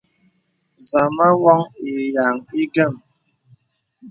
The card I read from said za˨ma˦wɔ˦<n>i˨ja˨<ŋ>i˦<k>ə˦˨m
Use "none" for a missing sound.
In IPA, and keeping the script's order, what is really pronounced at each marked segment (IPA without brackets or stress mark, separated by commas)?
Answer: ŋ, ŋ, ɡ